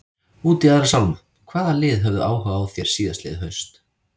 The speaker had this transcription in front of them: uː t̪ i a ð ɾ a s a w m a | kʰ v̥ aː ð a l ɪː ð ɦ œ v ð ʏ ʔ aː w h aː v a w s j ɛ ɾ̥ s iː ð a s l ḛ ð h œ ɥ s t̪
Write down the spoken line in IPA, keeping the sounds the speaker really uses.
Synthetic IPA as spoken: uː t̪ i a ð ɾ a s a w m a | kʰ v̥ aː ð a l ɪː ð ɦ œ v ð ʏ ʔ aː w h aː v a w θ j ɛ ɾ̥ s iː ð a s l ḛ ð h œ ɥ s t̪